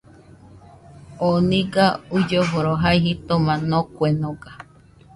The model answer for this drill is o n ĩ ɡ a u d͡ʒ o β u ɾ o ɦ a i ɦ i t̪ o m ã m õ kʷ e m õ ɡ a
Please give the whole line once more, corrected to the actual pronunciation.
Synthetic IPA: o n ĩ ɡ a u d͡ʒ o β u ɾ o ɦ a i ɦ i t̪ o m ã n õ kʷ e n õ ɡ a